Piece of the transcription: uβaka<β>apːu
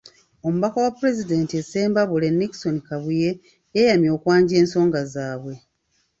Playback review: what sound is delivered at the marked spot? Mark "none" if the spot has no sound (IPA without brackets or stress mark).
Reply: w